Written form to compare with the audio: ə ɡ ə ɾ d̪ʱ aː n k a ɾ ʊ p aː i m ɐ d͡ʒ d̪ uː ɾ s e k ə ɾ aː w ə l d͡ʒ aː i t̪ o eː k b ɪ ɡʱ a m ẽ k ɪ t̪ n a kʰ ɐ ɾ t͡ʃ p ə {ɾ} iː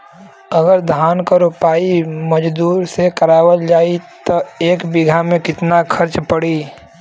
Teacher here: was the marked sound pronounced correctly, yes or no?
no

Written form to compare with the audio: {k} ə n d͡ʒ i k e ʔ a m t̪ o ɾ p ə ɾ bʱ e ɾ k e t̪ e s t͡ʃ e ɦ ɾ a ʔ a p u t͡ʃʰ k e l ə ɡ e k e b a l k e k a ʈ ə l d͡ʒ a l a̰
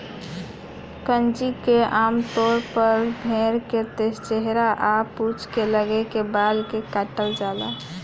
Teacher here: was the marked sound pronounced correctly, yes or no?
yes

